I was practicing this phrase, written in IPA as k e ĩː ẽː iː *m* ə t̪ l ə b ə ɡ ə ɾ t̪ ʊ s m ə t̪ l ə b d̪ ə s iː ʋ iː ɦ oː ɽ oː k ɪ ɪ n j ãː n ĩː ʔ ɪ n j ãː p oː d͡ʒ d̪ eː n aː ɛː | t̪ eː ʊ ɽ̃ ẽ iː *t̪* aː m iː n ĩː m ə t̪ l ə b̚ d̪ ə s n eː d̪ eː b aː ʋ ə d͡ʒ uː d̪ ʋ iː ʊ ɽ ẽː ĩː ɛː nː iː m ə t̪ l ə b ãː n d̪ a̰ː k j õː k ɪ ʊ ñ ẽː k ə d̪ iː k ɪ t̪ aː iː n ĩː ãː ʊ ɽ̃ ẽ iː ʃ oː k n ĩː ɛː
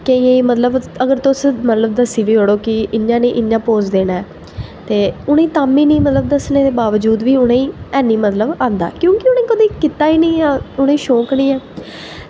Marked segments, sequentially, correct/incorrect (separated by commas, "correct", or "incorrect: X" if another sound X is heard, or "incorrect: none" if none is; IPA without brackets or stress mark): correct, correct